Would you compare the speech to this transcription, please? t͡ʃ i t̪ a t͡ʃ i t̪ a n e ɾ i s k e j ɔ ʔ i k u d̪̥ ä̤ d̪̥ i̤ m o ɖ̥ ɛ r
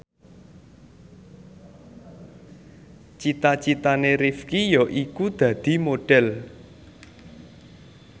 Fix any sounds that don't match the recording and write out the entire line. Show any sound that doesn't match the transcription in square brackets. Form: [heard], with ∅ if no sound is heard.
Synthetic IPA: t͡ʃ i t̪ a t͡ʃ i t̪ a n e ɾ i [f] k [i] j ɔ ʔ i k u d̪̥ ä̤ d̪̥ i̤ m o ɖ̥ ɛ [l]